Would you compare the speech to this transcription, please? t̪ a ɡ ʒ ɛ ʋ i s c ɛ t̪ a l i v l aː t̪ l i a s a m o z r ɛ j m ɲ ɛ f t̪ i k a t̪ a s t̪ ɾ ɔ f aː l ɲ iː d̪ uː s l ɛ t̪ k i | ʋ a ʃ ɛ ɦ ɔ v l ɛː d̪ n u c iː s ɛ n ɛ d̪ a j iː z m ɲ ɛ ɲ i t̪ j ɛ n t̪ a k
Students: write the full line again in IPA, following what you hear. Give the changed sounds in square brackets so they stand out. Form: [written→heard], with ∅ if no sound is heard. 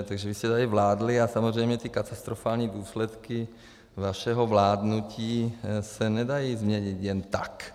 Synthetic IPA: t̪ a ɡ ʒ ɛ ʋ i s c ɛ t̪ a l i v l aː [t̪→d̪] l i a s a m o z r ɛ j m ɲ ɛ [f→∅] t̪ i k a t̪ a s t̪ ɾ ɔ f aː l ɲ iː d̪ uː s l ɛ t̪ k i | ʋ a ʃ ɛ ɦ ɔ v l [ɛː→aː] d̪ n u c iː s ɛ n ɛ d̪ a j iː z m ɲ ɛ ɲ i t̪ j ɛ n t̪ a k